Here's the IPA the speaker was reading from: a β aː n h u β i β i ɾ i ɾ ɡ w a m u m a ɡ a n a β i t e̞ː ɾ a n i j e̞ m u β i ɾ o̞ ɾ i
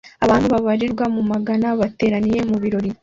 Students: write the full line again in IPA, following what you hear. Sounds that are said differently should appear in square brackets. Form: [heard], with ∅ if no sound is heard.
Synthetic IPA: a β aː n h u β [a] β [a] ɾ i ɾ ɡ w a m u m a ɡ a n a β [a] t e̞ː ɾ a n i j e̞ m u β i ɾ o̞ ɾ i